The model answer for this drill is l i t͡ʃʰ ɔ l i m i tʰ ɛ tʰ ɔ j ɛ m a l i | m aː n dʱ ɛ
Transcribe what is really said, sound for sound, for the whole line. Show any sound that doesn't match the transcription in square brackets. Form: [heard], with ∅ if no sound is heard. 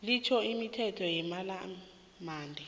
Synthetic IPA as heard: l i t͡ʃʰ ɔ [∅] i m i tʰ ɛ tʰ ɔ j ɛ m a l [a] | m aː n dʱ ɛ